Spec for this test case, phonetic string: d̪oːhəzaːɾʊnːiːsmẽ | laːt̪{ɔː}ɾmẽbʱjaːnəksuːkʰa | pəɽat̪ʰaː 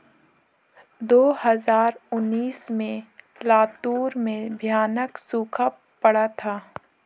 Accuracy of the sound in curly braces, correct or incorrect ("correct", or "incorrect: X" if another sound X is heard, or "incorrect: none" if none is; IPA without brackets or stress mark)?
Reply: incorrect: uː